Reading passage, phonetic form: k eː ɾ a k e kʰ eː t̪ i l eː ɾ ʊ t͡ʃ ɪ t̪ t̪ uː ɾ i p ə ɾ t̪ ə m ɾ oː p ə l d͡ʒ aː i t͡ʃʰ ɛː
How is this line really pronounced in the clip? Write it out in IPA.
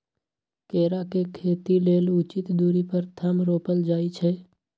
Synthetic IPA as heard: k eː ɾ a k e kʰ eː t̪ i l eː l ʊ t͡ʃ ɪ t̪ d̪ uː ɾ i p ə ɾ t̪ʰ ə m ɾ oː p ə l d͡ʒ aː i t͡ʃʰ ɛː